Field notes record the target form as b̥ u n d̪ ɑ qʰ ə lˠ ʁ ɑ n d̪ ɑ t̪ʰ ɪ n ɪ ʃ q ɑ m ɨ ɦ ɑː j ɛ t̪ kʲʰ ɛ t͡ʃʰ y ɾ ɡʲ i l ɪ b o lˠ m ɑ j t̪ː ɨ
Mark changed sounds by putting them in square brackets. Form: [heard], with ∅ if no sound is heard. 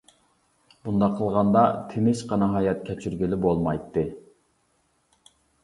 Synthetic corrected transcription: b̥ u n d̪ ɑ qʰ ə lˠ ʁ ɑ n d̪ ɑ t̪ʰ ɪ n ɪ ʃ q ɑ [n] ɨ ɦ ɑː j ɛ t̪ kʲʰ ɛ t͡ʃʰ y ɾ ɡʲ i l ɪ b o lˠ m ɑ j t̪ː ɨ